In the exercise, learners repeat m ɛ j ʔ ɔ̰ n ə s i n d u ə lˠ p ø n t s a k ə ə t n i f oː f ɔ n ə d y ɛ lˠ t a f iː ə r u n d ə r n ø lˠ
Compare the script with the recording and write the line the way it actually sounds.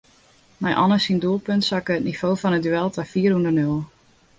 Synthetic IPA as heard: m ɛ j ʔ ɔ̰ n ə s i n d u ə lˠ p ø n t s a k ə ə t n i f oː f ɔ n ə d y ɛ lˠ t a f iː ə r u n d ə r n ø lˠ

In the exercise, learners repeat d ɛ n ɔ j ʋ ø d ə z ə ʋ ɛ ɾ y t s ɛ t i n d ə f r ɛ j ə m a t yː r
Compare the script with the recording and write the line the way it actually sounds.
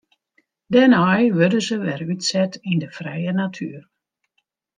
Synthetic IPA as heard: d ɛ n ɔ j ʋ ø d ə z ə ʋ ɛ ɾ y t s ɛ t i n d ə f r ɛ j ə n a tʰ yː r

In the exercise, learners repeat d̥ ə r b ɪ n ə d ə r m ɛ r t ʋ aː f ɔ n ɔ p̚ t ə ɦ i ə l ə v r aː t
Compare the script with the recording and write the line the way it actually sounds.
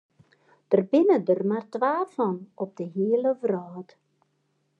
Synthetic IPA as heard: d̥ ə r b ɪ n ə d ə r m a r t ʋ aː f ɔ n ɔ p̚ d ə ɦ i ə l ə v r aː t

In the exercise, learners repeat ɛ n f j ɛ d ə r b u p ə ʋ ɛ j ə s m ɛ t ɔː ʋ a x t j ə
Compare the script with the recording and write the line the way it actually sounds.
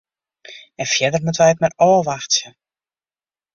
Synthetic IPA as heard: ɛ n f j ɛ d ə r m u t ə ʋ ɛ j ə t m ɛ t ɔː ʋ a x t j ə

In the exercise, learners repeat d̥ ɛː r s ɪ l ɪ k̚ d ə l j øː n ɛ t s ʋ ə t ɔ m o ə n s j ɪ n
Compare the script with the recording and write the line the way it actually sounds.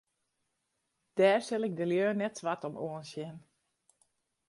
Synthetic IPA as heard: d̥ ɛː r s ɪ l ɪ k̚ d ə l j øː n ɛ t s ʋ a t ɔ m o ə n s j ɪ n

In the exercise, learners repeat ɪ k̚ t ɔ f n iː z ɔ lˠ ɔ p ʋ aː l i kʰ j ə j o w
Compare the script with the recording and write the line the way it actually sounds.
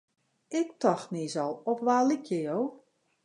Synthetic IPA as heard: ɪ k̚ t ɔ x n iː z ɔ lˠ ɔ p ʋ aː l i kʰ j ə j o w

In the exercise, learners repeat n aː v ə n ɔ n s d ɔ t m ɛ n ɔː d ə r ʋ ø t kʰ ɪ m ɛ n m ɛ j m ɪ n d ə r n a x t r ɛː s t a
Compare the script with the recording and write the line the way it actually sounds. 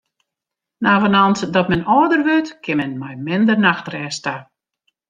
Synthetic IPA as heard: n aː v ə n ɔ n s d ɔ t m ɛ n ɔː d ə r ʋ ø t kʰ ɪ m ɛ n m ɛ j m ɪ n d ə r n a x t r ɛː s t a

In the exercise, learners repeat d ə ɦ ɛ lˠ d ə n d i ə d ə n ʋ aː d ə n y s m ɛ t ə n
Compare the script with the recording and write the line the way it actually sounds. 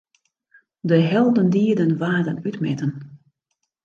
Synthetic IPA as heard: d ə ɦ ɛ lˠ d ə n d i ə d ə n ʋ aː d ə n y t m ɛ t ə n

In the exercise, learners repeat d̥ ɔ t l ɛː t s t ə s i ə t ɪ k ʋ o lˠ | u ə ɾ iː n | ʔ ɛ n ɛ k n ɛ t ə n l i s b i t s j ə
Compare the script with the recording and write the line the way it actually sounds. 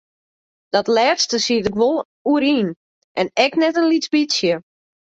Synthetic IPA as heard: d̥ ɔ t l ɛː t s t ə s i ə t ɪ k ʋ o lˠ | u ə ɾ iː n | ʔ ɛ n ɛ k n ɛ t ə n l i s b i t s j ə

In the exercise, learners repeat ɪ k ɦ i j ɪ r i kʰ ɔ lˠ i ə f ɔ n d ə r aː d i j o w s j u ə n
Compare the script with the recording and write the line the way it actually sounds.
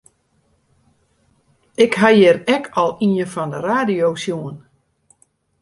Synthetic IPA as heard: ɪ k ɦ a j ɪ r ɛ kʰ ɔ lˠ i ə f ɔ n d ə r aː d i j o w s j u ə n

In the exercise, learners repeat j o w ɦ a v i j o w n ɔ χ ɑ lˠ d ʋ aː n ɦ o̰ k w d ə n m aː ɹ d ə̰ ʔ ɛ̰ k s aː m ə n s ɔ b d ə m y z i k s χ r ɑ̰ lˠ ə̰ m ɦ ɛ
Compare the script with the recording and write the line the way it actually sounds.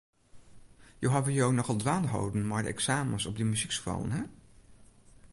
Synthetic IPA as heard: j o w ɦ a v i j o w n ɔ χ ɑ lˠ d ʋ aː n ɦ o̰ w d ə n m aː ɹ d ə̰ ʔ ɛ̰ k s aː m ə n s ɔ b d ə m y z i k s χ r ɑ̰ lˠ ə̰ n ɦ ɛ

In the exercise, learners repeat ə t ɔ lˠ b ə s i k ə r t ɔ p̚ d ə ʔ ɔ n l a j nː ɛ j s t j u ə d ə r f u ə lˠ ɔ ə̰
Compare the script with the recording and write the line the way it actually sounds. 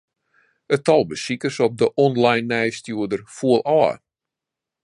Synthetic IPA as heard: ə t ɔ lˠ b ə s i k ə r s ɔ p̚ d ə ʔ ɔ n l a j nː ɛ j s t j u ə d ə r f u ə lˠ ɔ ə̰

